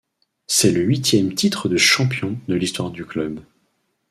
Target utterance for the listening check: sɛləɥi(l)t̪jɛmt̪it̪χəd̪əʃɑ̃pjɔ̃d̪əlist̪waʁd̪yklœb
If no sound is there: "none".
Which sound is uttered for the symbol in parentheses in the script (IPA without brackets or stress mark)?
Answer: none